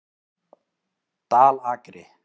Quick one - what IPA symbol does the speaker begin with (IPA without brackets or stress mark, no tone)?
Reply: t̪